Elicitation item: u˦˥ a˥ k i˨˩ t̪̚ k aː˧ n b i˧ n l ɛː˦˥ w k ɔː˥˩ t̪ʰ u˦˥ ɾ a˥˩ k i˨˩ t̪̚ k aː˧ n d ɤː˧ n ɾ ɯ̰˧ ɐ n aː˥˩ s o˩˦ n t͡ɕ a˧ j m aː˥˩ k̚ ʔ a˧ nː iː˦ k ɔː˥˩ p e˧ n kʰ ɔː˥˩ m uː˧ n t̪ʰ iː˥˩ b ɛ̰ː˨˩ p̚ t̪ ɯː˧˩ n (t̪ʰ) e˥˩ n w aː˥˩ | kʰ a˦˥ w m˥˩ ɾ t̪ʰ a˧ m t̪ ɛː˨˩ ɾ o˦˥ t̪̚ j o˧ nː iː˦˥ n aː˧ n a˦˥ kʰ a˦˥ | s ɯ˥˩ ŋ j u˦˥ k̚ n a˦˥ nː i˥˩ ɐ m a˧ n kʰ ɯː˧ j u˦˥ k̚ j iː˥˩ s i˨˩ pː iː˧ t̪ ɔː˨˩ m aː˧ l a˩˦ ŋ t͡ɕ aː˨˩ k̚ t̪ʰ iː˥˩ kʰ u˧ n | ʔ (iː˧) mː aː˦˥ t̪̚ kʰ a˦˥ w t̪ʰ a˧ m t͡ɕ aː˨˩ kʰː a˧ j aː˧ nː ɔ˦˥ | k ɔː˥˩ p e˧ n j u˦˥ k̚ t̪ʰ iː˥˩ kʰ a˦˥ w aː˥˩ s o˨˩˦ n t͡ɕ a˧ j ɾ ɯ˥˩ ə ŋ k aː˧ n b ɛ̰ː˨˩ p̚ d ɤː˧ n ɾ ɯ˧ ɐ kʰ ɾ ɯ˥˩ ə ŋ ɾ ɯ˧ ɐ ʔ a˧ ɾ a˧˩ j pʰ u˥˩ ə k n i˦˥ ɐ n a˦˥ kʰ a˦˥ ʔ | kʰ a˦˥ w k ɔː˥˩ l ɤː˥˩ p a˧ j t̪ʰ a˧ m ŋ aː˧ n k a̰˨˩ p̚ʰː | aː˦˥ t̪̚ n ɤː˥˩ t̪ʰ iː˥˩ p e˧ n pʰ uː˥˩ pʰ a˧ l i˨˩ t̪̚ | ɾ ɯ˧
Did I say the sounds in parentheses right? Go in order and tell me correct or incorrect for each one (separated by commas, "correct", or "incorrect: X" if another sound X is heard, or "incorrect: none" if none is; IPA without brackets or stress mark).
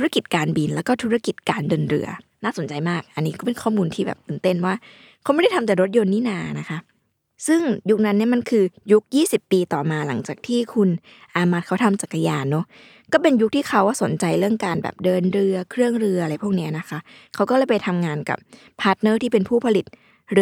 incorrect: t̪, incorrect: aː˧